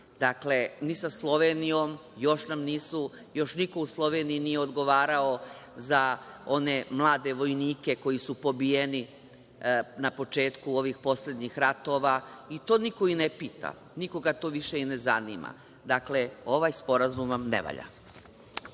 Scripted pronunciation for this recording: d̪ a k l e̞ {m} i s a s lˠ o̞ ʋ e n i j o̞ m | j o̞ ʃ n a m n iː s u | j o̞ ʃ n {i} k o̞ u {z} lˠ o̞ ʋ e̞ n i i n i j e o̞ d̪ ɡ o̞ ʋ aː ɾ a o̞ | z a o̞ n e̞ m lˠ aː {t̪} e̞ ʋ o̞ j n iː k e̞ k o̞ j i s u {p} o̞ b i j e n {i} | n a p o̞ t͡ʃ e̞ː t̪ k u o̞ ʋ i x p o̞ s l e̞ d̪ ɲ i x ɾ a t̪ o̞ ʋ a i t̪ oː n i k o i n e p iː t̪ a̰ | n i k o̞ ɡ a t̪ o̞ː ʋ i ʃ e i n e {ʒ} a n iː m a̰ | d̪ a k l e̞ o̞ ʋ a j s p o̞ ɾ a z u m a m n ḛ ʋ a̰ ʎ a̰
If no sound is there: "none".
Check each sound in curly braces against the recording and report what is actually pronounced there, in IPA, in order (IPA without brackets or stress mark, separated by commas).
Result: n, i, s, d̪, p, i, z